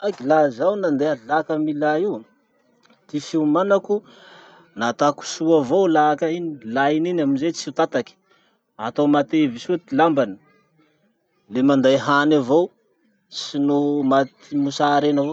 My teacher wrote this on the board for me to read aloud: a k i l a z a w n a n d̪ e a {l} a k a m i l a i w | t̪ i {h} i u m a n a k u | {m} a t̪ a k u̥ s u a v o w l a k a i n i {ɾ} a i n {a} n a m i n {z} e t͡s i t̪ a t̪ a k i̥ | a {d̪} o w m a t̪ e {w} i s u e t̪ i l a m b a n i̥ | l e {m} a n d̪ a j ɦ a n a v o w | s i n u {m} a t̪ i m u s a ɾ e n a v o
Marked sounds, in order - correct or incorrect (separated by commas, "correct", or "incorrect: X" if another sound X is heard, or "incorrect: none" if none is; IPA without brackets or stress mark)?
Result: correct, incorrect: f, incorrect: n, incorrect: l, incorrect: i, correct, incorrect: t̪, incorrect: v, correct, correct